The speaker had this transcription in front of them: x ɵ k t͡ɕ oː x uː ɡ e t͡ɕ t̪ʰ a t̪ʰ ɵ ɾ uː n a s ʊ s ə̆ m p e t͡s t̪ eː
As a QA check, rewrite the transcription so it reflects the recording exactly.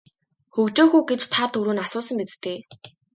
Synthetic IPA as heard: x ɵ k t͡ɕ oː x uː ɡ e t͡ɕ t̪ʰ a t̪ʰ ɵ ɾ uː n a s ʊː s ə̆ m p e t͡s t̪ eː